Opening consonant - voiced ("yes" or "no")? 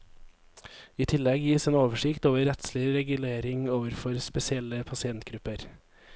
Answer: no